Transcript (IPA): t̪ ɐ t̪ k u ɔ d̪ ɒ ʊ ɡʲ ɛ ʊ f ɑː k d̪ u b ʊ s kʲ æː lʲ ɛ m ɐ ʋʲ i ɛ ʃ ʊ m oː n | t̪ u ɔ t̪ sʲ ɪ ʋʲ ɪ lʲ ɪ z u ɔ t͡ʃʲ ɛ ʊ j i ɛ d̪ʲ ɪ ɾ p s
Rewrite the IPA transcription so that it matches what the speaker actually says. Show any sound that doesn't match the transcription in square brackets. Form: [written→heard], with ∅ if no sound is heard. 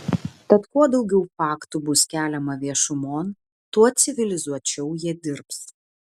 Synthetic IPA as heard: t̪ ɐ t̪ k u ɔ d̪ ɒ ʊ ɡʲ ɛ ʊ f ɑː k [d̪→t̪] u b ʊ s kʲ æː lʲ ɛ m ɐ ʋʲ i ɛ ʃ ʊ m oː n | t̪ u ɔ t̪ sʲ ɪ ʋʲ ɪ lʲ ɪ z u ɔ t͡ʃʲ ɛ ʊ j i ɛ d̪ʲ ɪ ɾ p s